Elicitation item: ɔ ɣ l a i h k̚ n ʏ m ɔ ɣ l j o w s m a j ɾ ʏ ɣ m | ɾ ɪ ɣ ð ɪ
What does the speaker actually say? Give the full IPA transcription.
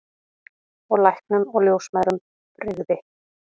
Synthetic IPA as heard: ɔ ɣ l a j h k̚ n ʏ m ɔ ɣ l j o w s m a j ɾ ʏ m | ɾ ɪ ɣ ð ɪ

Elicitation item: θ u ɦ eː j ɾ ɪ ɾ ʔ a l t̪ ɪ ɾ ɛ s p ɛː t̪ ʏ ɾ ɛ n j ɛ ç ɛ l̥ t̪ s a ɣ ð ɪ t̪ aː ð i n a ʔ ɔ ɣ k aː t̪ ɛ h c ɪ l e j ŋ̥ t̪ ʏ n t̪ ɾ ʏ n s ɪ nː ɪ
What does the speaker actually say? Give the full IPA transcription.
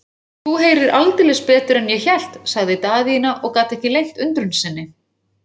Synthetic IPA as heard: θ u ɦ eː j ɾ ɪ ɾ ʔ a l t̪ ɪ l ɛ s p ɛː t̪ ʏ ɾ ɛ n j ɛ ç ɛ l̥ t̪ s a ɣ ð ɪ t̪ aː ð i n a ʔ ɔ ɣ k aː t̪ ɛ h c ɪ l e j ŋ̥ t̪ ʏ n t̪ ɾ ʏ n s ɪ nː ɪ

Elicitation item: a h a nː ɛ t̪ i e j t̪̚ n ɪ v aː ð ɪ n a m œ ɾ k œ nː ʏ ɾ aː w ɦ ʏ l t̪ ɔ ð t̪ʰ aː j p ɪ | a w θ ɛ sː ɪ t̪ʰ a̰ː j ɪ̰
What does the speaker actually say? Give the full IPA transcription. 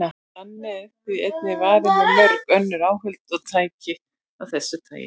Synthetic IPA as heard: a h a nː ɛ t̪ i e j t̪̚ n ɪ v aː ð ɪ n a m œ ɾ k œ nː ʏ ɾ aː w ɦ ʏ l t̪ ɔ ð t̪ʰ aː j c ɪ | a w θ ɛ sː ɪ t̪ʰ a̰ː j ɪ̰

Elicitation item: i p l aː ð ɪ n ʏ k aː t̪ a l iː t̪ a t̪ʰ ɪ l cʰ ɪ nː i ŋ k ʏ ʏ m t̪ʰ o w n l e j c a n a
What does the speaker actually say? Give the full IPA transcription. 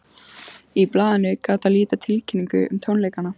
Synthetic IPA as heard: i p l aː ð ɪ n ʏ k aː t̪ a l iː t̪ a t̪ʰ ɪ l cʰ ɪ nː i ŋ k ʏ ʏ m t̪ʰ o w n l e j k a n a

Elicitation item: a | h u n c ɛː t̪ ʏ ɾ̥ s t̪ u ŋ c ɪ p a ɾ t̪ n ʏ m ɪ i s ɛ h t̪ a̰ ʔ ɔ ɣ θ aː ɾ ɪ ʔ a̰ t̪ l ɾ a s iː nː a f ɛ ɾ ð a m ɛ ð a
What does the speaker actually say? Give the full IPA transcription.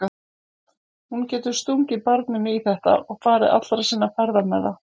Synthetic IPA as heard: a | h u n c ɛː t̪ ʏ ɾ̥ s t̪ u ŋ c ɪ p a ɾ t̪ n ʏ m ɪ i θ ɛ h t̪ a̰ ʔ ɔ ɣ f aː ɾ ɪ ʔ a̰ t̪ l ɾ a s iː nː a f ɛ ɾ ð a m ɛ ð a

